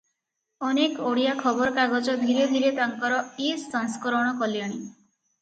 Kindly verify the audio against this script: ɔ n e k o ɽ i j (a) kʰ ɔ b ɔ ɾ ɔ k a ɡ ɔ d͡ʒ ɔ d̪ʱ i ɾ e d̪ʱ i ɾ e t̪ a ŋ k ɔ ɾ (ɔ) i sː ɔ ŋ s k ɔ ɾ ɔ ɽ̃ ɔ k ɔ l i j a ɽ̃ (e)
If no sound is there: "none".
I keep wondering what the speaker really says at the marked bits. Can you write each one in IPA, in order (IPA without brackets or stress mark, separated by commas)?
a, ɔ, i